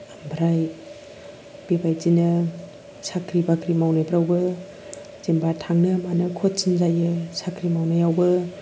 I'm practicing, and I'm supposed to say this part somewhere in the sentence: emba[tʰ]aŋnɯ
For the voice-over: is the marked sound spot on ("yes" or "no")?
yes